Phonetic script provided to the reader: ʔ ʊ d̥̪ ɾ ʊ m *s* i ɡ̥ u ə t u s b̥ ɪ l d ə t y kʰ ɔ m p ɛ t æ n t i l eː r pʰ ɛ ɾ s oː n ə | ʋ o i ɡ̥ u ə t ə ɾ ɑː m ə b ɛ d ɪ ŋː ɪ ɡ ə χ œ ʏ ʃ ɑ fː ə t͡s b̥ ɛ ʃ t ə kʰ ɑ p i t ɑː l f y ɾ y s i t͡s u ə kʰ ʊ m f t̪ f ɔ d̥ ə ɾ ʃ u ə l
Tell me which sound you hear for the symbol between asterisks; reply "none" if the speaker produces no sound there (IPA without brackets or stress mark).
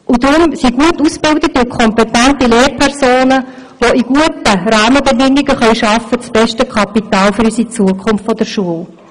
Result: s